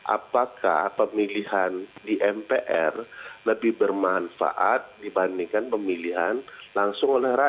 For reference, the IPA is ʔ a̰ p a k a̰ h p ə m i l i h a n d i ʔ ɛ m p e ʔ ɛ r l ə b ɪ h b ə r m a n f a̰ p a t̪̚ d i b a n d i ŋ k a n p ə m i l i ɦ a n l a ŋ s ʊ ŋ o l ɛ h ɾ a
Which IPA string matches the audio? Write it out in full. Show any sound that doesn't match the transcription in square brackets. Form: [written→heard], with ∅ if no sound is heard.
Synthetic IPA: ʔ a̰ p a k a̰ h p ə m i l i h a n d i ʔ ɛ m p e ʔ ɛ r l ə b ɪ h b ə r m a n f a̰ [p→ʔ] a t̪̚ d i b a n d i ŋ k a n p ə m i l i ɦ a n l a ŋ s ʊ ŋ o l ɛ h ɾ a